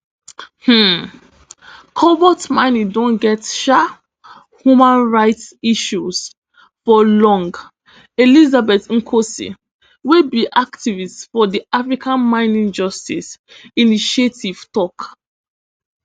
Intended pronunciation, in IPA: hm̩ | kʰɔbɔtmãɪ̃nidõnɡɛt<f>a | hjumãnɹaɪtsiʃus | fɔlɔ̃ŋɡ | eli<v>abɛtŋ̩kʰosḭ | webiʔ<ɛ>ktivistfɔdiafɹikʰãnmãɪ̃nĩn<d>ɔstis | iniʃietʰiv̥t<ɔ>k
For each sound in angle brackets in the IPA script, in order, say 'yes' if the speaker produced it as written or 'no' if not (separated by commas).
no, no, no, no, yes